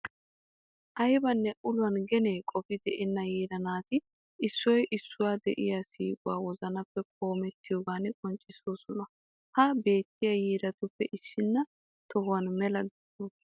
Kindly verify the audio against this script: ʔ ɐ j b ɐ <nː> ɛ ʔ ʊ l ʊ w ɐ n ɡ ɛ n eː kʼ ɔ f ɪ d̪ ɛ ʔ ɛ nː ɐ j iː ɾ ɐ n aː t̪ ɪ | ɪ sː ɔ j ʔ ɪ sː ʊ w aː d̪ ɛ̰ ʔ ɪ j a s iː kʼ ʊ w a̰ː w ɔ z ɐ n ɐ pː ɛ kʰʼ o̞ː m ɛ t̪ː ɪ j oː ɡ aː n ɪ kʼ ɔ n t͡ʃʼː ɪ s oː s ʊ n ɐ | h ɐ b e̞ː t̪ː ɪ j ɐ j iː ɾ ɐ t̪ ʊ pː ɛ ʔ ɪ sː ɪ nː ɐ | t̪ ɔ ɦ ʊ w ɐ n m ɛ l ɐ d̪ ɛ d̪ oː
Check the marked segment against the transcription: correct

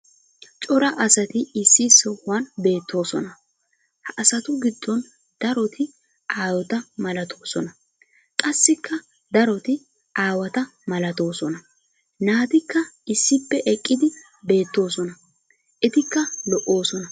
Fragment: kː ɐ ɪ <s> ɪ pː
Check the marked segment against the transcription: incorrect: sː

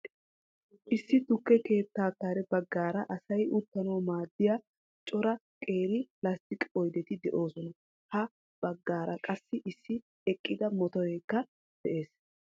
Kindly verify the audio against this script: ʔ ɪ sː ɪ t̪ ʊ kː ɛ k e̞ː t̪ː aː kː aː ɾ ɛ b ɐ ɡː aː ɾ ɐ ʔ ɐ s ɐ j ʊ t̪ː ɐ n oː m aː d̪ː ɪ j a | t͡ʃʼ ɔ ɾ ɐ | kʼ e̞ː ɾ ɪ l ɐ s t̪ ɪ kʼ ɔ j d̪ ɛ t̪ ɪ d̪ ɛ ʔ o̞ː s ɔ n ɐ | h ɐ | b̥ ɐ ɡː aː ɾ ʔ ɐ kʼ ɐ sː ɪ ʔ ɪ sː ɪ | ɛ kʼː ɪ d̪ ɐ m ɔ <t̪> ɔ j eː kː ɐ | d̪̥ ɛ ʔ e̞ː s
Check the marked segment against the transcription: correct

